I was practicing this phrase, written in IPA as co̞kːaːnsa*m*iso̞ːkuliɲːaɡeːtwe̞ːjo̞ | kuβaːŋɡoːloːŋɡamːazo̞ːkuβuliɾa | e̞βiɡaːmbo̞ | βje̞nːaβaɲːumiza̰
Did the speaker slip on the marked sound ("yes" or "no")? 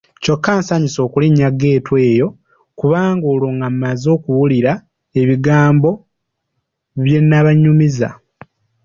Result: yes